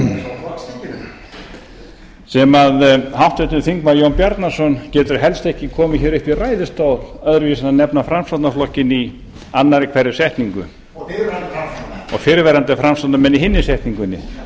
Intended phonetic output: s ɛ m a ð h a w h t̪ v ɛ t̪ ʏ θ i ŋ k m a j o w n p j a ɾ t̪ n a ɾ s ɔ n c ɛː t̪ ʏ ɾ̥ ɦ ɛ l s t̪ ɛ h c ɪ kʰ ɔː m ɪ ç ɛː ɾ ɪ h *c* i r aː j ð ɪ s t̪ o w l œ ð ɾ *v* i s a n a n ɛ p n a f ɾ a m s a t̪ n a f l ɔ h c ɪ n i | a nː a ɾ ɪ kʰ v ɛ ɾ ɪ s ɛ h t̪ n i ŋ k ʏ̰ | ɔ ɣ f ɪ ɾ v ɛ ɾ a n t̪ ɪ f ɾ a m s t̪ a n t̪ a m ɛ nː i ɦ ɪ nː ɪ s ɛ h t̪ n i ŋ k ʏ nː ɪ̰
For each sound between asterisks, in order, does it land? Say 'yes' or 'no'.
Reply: no, yes

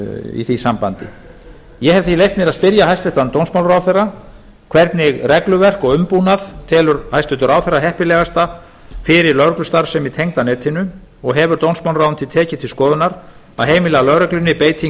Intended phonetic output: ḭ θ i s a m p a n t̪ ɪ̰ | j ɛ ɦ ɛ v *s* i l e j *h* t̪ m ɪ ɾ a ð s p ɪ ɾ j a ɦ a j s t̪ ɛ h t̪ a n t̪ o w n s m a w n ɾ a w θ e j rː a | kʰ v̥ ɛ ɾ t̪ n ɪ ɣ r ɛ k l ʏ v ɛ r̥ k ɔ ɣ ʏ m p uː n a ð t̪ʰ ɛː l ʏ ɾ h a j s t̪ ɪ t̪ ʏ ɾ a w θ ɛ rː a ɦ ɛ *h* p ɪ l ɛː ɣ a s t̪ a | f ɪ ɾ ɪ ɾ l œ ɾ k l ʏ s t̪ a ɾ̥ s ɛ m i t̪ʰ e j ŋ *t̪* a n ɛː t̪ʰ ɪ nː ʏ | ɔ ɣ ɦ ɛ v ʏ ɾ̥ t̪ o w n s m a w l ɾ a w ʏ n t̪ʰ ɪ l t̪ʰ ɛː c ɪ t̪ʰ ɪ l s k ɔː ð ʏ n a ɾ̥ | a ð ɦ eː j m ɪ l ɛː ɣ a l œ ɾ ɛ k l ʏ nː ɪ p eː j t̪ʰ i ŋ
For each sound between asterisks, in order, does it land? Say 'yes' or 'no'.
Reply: no, no, yes, yes

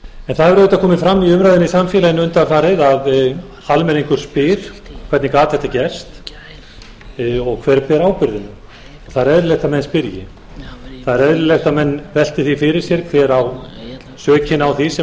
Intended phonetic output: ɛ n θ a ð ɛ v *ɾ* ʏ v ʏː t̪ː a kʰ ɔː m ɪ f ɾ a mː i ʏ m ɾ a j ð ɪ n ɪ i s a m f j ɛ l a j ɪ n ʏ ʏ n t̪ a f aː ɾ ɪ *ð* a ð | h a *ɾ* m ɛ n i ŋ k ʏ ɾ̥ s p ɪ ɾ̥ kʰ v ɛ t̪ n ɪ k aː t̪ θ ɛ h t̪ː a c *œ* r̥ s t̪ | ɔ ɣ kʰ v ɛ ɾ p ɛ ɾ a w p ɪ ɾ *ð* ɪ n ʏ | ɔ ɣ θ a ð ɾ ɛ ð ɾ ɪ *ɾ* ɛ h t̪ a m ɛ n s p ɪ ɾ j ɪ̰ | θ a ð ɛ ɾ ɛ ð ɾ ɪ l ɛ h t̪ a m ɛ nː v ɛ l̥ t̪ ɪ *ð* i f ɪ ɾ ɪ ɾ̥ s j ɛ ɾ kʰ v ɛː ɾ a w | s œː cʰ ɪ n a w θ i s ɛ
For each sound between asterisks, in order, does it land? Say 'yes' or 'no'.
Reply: yes, yes, no, no, yes, no, no

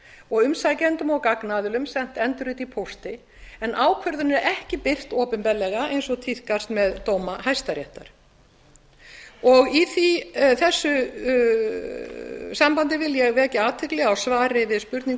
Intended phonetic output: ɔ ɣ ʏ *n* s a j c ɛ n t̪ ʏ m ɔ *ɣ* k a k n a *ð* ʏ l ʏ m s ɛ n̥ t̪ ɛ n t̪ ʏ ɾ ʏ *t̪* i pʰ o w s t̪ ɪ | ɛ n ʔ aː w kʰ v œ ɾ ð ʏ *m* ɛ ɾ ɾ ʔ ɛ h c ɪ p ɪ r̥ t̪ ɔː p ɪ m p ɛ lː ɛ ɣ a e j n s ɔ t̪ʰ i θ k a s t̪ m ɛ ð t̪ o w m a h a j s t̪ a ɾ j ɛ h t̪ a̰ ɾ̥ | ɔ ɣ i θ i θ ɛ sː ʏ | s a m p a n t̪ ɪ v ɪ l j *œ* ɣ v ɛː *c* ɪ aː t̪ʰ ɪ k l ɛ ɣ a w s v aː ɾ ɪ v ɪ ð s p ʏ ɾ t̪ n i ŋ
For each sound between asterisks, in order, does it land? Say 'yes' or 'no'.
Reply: no, yes, yes, yes, no, no, yes

